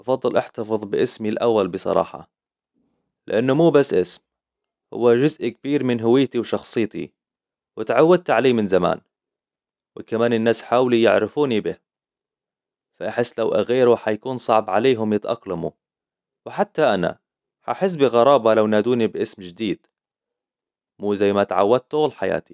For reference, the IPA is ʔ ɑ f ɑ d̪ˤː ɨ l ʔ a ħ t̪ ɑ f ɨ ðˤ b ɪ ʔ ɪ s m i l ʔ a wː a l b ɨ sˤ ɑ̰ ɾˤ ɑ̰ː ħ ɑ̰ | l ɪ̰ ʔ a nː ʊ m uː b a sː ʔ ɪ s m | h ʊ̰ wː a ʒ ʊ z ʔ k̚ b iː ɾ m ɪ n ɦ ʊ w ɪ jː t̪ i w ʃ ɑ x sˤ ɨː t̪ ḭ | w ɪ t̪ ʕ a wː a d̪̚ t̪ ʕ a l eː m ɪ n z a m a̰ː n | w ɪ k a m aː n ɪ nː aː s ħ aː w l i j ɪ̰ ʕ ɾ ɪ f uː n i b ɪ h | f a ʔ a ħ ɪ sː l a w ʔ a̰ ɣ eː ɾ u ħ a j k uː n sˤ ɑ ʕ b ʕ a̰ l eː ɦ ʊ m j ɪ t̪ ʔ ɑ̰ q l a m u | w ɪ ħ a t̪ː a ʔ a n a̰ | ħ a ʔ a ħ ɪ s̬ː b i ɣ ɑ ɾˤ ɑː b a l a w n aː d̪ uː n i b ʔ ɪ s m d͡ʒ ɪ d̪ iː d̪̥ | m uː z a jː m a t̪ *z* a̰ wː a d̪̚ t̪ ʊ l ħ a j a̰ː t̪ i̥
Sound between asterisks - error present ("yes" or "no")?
yes